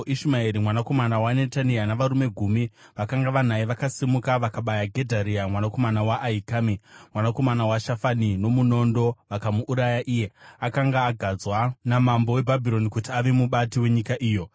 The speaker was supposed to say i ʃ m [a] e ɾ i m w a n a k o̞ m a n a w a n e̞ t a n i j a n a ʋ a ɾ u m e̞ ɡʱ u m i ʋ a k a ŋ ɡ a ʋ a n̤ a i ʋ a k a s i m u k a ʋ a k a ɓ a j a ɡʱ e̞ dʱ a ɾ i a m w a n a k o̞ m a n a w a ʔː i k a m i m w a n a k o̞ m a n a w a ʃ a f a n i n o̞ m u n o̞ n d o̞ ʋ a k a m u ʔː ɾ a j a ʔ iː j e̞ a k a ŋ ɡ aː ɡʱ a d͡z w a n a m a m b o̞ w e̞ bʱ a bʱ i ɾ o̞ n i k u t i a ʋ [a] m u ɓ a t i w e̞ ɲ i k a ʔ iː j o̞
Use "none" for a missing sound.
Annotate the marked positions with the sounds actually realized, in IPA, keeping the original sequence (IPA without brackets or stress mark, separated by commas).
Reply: a, e